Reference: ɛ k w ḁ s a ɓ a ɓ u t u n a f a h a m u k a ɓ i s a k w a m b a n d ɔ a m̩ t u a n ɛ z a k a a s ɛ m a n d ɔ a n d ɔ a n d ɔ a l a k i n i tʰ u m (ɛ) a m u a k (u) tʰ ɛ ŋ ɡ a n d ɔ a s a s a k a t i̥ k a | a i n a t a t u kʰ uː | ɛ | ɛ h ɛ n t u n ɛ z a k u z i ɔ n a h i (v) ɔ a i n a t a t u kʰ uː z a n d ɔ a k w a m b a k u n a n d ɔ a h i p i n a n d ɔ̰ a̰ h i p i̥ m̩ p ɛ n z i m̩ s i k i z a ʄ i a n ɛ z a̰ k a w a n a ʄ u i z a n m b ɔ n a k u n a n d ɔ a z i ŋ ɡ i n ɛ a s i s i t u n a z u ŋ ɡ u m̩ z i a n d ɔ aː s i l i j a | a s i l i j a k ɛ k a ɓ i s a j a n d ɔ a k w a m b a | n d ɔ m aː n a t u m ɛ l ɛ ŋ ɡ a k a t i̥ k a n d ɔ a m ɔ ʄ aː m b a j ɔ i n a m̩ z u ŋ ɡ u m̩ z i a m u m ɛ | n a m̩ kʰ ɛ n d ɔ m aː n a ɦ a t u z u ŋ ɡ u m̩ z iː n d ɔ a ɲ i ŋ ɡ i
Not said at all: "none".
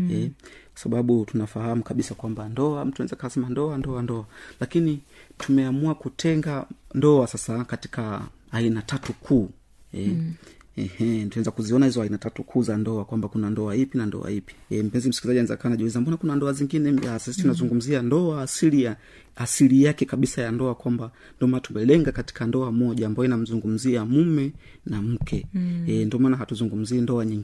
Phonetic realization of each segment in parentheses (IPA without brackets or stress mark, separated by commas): ɛ, u, z